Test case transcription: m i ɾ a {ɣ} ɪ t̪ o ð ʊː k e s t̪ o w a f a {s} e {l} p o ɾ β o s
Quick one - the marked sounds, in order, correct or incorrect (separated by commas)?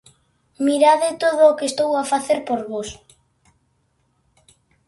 incorrect, incorrect, incorrect